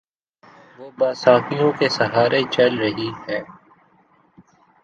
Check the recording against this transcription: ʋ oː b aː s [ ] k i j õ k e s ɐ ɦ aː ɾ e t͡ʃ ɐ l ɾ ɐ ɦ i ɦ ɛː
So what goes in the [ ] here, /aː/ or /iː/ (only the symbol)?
aː